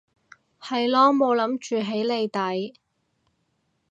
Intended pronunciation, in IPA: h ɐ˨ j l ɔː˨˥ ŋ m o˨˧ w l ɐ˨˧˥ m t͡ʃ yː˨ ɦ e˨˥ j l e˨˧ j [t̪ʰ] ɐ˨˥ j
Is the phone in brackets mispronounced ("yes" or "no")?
yes